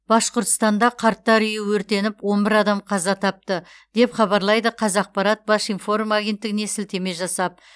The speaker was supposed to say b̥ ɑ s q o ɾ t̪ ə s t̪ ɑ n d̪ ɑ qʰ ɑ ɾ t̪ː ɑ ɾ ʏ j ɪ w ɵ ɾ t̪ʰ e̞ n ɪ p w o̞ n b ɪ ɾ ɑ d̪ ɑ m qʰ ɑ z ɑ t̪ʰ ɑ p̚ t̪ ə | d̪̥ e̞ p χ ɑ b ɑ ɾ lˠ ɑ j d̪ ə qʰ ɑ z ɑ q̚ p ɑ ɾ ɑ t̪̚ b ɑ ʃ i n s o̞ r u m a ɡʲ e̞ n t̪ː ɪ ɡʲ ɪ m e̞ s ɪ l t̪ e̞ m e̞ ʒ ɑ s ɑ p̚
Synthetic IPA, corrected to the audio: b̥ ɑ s q o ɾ t̪ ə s t̪ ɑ n d̪ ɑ qʰ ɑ ɾ t̪ː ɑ ɾ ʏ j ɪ w ɵ ɾ t̪ e̞ n ɪ p w o̞ n b ɪ ɾ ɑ d̪ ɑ m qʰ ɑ z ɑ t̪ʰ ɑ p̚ t̪ ə | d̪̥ e̞ p χ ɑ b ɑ ɾ lˠ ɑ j d̪ ə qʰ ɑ z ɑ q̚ p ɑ ɾ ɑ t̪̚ b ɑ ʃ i n f o̞ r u m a ɡʲ e̞ n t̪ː ɪ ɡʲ ɪ n e̞ s ɪ l t̪ e̞ m e̞ ʒ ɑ s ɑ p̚